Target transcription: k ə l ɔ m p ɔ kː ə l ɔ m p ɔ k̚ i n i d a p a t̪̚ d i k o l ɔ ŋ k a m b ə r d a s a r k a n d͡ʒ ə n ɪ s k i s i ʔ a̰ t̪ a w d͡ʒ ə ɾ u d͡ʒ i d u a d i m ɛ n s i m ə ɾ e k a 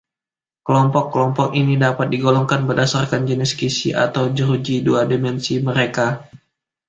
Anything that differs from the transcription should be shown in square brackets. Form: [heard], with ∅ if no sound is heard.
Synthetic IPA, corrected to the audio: k ə l ɔ m p ɔ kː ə l ɔ m p ɔ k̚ i n i d a p a t̪̚ d i [ɡ] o l ɔ ŋ k a [n] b ə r d a s a r k a n d͡ʒ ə n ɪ s k i s i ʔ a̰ t̪ a w d͡ʒ ə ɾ u d͡ʒ i d u a d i m ɛ n s i m ə ɾ e k a